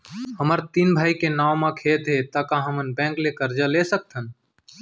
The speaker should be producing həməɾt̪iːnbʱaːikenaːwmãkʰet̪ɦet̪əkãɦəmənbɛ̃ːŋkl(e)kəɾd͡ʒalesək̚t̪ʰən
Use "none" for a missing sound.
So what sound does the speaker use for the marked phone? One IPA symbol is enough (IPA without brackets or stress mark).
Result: e